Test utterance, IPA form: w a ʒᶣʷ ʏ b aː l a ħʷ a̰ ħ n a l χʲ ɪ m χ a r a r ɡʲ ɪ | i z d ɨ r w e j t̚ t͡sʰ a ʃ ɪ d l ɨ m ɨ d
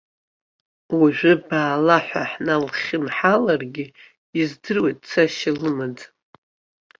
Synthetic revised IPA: w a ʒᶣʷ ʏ b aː l a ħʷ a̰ ħ n a l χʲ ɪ m ħ a l a r ɡʲ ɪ | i z d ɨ r w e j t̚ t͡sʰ a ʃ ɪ l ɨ m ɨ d